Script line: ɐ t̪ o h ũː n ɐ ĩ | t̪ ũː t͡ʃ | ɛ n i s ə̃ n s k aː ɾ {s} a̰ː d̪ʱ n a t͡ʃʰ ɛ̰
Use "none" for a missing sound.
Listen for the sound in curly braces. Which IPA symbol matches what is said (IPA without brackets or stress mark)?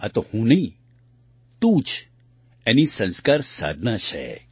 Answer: s